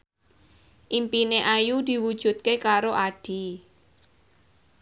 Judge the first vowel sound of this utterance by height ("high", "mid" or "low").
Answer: high